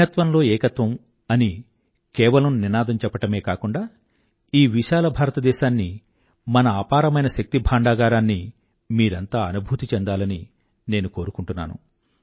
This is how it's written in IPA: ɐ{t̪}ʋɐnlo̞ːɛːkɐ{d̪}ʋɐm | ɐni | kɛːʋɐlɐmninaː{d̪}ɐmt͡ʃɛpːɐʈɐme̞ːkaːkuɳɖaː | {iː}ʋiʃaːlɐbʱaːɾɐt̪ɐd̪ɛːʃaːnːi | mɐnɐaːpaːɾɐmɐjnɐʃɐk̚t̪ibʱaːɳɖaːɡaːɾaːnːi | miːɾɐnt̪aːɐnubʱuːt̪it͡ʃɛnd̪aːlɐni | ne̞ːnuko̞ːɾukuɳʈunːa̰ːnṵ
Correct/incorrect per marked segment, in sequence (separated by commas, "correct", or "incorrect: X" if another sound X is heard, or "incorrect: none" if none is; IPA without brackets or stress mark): correct, incorrect: t̪, correct, correct